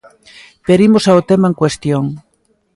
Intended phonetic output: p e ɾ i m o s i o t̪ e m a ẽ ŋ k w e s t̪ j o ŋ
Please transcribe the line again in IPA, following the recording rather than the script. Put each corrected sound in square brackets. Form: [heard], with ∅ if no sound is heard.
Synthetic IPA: p e ɾ i m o s [a] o t̪ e m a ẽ ŋ k w e s t̪ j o ŋ